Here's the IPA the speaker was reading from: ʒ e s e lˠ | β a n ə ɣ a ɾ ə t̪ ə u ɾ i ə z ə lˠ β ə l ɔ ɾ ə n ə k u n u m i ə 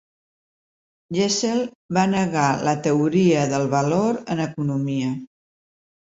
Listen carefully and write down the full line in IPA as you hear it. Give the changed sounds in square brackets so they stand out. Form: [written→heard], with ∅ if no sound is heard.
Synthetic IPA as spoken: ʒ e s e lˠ | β a n ə ɣ a [ɾ→l] ə t̪ ə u ɾ i ə [z→ð] ə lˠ β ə l [ɔ→o] ɾ ə n ə k u n u m i ə